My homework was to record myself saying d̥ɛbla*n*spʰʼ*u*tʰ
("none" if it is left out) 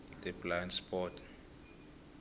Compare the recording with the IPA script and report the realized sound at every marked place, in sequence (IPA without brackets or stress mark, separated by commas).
n, ɔ